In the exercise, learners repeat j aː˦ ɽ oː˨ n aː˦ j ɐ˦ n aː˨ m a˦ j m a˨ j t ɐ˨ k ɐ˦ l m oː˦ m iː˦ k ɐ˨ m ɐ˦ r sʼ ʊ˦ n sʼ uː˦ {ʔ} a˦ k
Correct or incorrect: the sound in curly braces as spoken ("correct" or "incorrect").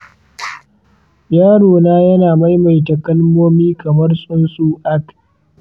correct